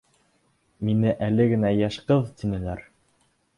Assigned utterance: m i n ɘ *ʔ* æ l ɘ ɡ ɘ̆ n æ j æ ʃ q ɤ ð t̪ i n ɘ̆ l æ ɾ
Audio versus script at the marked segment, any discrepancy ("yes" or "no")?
no